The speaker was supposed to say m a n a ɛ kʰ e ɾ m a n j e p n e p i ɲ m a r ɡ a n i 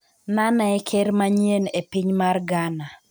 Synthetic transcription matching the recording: n a n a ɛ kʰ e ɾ m a ɲ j e n e p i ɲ m a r ɡ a n a